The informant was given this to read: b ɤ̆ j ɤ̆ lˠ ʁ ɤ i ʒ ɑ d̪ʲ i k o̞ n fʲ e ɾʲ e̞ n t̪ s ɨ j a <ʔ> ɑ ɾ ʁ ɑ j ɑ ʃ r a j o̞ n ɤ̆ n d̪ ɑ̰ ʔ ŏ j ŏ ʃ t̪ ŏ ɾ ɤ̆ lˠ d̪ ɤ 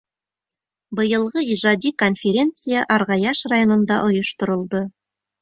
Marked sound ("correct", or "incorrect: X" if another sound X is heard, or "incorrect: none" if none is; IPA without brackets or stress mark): correct